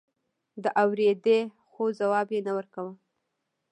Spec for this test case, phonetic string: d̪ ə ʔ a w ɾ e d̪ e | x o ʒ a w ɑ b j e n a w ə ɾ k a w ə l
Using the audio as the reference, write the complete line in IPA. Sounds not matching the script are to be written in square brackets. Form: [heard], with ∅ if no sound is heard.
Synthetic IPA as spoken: d̪ ə ʔ a w ɾ e d̪ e | x o [z] a w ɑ b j e n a w ə ɾ k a w ə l